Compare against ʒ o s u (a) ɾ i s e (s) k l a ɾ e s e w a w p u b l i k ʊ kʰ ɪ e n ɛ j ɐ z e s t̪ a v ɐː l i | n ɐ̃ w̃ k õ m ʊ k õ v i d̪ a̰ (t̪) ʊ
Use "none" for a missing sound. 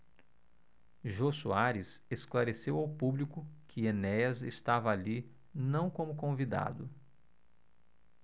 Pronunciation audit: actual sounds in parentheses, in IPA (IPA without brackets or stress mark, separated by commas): a, s, d̪